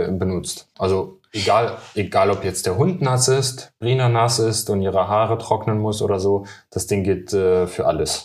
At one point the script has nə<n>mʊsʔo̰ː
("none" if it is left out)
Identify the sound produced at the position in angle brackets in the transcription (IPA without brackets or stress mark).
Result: n